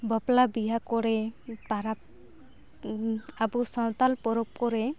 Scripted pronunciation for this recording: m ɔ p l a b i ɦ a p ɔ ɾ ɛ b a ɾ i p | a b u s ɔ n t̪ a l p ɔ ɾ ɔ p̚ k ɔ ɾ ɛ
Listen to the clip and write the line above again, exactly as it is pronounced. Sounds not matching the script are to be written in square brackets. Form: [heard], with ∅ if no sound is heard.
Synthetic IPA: [b] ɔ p l a b i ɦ a [k] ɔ ɾ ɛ [p] a ɾ [a] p | a b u s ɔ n t̪ a l p ɔ ɾ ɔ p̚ k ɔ ɾ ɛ